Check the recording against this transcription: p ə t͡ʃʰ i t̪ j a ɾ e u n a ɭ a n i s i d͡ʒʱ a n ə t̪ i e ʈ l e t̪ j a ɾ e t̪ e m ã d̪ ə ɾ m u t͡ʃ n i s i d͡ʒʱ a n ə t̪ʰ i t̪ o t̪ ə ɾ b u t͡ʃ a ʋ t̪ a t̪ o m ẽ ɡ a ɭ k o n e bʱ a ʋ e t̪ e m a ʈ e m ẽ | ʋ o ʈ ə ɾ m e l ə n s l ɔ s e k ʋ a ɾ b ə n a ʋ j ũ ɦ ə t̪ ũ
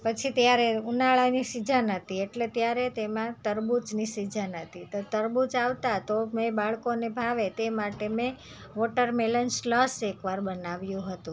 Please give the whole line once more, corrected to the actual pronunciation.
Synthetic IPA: p ə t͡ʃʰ i t̪ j a ɾ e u n a ɭ a n i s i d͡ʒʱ a n ə t̪ i e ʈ l e t̪ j a ɾ e t̪ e m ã t̪ ə ɾ b u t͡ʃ n i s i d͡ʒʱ a n ə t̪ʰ i t̪ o t̪ ə ɾ b u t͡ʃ a ʋ t̪ a t̪ o m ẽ b a ɭ k o n e bʱ a ʋ e t̪ e m a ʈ e m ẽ | ʋ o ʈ ə ɾ m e l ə n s l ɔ s e k ʋ a ɾ b ə n a ʋ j ũ ɦ ə t̪ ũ